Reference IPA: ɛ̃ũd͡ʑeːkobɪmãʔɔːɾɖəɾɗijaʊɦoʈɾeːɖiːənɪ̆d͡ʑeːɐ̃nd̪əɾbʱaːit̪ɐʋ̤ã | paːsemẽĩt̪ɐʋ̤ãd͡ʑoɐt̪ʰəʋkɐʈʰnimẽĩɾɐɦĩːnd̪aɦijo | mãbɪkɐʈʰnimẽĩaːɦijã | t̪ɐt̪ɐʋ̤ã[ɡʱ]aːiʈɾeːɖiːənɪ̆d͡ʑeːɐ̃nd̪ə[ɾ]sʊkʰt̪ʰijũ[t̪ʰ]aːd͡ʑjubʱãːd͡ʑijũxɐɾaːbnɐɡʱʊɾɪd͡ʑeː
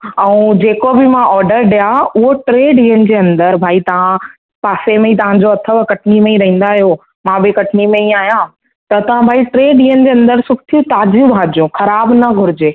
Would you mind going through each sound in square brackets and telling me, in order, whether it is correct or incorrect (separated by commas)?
incorrect, correct, incorrect